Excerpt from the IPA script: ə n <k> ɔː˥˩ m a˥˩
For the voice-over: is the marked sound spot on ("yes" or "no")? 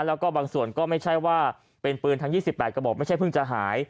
yes